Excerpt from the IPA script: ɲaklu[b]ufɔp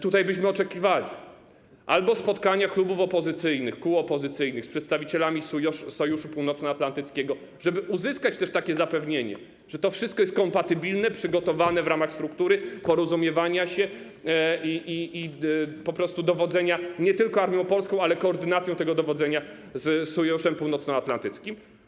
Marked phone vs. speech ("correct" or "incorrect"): correct